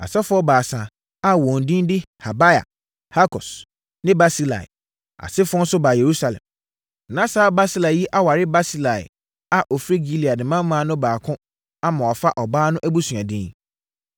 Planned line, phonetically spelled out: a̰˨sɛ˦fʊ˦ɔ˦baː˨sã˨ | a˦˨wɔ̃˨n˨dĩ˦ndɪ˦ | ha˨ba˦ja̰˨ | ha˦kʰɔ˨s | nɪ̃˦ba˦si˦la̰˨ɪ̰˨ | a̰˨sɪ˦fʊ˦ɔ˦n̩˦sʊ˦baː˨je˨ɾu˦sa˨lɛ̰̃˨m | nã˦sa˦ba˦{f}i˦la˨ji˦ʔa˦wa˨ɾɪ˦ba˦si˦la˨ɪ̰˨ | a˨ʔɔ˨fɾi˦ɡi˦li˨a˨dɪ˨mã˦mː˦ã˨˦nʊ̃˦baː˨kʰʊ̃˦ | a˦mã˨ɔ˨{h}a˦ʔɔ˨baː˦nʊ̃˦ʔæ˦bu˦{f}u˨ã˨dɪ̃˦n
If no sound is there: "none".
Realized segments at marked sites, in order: s, f, s

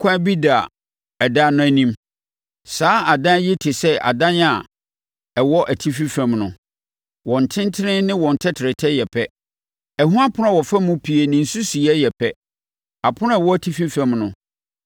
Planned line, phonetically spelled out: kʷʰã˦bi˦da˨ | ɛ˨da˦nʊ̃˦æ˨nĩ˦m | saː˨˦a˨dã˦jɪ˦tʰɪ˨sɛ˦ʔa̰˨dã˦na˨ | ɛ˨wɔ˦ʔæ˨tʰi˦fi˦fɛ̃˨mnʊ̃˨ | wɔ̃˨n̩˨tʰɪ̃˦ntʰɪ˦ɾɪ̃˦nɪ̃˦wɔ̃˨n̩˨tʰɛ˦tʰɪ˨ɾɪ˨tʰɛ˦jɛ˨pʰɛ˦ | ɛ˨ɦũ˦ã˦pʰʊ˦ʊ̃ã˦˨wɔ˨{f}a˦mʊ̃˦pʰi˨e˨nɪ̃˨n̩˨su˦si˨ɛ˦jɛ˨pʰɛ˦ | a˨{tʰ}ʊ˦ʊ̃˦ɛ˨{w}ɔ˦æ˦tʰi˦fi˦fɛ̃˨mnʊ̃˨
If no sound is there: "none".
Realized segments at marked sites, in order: f, pʰ, w

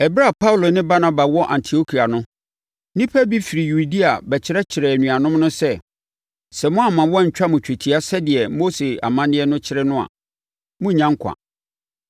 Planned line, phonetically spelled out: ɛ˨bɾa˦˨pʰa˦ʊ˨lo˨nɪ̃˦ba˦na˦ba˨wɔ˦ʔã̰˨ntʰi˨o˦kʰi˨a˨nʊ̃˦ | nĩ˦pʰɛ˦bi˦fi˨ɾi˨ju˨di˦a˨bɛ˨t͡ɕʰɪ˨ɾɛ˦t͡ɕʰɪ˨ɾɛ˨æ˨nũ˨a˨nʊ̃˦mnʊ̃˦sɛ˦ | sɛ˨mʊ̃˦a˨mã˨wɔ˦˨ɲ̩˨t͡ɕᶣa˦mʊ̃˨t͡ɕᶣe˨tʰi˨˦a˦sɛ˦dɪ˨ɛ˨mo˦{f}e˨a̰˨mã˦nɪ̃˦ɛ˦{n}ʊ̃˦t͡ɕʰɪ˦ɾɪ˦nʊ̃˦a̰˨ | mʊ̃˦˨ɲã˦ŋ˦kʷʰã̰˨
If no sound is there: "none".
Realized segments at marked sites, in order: s, n

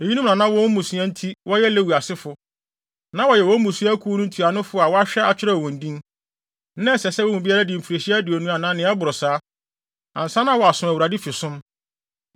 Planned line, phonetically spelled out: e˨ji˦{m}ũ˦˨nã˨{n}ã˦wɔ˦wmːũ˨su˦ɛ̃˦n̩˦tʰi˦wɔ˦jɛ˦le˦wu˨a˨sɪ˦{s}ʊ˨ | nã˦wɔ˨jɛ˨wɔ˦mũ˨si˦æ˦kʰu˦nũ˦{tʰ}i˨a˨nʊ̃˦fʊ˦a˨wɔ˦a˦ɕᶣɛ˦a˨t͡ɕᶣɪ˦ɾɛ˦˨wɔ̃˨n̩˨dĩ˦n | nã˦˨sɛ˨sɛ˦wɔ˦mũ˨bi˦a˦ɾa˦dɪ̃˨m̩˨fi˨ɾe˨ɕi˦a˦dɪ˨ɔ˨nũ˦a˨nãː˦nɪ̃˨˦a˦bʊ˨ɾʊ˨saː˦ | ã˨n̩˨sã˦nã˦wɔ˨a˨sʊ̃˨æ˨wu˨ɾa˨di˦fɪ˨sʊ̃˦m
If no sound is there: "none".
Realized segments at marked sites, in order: n, n, f, tʰ

